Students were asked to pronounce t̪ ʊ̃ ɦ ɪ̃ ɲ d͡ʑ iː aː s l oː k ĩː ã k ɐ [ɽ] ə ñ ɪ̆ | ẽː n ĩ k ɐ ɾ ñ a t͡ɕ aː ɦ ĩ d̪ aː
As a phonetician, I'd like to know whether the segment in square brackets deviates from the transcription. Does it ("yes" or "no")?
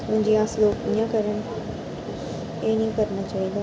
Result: yes